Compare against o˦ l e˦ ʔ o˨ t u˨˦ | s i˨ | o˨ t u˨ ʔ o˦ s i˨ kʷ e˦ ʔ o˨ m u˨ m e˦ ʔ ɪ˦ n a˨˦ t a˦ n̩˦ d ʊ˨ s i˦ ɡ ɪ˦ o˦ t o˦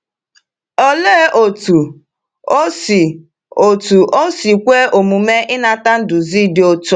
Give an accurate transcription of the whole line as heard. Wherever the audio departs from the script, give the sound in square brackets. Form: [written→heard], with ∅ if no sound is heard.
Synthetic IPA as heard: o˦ l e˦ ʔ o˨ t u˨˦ | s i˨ | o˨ t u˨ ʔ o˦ s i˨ kʷ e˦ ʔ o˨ m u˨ m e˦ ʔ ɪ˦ n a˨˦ t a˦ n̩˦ d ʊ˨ [s→z] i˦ [ɡ→d] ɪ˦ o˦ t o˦